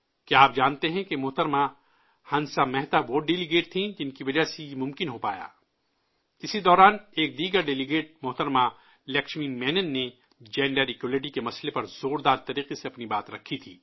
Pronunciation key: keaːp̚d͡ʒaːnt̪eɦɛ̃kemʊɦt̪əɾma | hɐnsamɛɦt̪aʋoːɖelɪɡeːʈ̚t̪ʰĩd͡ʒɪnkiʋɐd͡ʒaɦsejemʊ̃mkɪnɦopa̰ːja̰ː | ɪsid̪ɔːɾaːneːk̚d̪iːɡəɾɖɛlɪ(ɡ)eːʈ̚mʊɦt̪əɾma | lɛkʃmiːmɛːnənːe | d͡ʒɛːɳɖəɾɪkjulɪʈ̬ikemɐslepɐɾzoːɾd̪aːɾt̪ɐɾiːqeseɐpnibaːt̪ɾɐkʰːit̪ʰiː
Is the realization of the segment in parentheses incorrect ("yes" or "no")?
no